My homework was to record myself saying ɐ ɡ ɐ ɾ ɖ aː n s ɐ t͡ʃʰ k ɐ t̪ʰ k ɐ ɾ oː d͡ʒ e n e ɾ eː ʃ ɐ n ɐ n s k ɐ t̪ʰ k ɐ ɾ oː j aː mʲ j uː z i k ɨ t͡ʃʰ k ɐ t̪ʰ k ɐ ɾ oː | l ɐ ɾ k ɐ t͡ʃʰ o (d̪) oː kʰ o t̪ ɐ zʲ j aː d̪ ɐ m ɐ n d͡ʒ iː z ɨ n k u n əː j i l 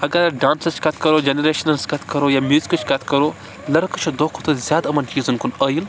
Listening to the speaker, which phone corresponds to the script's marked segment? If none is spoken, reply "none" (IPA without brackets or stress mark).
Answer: d̪